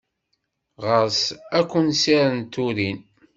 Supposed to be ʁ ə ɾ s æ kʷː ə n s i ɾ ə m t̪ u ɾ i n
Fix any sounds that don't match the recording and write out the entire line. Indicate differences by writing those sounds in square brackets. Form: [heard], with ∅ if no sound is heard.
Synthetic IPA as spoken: ʁ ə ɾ s æ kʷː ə n s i ɾ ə [n] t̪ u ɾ i n